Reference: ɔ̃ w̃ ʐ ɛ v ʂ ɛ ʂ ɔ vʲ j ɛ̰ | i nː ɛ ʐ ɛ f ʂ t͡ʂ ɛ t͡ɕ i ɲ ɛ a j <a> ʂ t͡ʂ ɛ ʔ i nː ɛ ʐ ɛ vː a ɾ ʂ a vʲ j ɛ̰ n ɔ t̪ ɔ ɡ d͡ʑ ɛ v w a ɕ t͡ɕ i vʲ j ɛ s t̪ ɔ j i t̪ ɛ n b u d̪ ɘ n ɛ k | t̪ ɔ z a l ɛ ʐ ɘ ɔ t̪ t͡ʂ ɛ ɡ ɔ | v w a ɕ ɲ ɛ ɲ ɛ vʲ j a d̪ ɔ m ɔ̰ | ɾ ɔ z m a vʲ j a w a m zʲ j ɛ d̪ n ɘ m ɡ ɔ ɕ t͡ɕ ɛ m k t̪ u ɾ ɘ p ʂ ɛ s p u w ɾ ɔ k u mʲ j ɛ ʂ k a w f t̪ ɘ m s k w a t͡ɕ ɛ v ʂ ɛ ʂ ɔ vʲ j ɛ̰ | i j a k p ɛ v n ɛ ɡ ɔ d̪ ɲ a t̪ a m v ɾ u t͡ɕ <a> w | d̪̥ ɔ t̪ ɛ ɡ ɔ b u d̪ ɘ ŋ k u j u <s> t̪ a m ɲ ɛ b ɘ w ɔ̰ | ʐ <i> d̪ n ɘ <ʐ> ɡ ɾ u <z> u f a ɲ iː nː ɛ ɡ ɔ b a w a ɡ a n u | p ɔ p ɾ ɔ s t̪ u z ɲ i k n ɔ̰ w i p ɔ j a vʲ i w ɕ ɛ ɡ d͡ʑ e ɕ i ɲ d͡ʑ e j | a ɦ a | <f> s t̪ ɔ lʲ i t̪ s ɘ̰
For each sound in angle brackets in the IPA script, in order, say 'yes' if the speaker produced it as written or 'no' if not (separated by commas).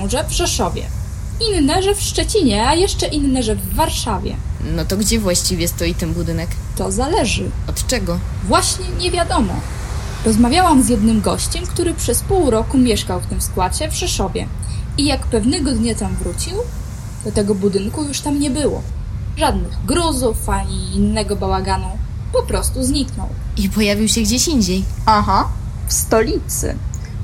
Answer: no, no, no, no, no, yes, yes